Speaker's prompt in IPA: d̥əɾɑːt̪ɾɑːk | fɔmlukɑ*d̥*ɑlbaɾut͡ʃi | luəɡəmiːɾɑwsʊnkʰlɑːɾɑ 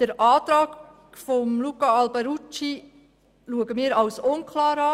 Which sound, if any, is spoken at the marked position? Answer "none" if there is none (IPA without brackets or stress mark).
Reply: none